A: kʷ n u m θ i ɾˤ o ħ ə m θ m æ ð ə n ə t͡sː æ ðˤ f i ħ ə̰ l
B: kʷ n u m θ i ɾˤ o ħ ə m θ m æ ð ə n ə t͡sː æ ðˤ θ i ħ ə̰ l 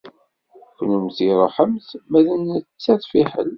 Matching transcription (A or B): A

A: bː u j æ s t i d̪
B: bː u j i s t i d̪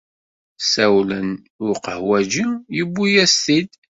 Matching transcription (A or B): A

